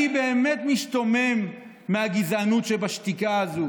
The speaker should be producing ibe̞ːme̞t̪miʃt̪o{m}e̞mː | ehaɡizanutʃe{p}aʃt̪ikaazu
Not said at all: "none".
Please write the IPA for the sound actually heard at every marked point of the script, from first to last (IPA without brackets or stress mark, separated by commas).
m, b